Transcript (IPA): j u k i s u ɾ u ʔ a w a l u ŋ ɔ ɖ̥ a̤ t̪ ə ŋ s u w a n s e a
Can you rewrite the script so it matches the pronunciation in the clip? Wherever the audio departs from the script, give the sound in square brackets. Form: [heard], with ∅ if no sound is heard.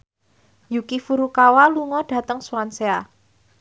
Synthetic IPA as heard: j u k i [f] u ɾ u [k] a w a l u ŋ ɔ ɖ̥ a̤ t̪ ə ŋ s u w a n s e a